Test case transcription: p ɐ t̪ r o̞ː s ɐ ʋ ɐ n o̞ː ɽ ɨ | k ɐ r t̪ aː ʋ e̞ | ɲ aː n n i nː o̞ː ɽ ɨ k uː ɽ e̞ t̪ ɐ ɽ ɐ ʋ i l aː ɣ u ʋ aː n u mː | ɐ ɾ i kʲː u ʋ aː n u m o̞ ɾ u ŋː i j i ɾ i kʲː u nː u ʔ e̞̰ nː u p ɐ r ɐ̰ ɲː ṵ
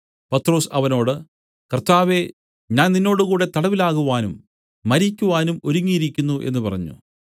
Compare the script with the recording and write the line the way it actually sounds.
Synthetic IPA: p ɐ t̪ r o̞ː s ɐ ʋ ɐ n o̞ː ɽ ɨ | k ɐ r t̪ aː ʋ e̞ | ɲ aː n n i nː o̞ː ɽ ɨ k uː ɽ e̞ t̪ ɐ ɽ ɐ ʋ i l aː ɣ u ʋ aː n u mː | ɐ ɾ i kʲː u ʋ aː n u m o̞ ɾ u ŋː i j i ɾ i kʲː u nː u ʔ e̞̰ nː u p ɐ r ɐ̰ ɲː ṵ